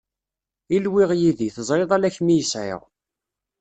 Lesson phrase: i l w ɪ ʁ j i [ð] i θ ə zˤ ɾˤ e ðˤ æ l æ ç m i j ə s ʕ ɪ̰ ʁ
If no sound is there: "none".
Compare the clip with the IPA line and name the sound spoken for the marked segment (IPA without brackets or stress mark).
ð